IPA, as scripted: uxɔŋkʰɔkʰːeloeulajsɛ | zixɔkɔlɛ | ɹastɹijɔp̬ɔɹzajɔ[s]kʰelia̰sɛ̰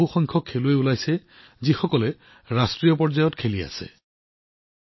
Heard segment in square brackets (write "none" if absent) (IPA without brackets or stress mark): t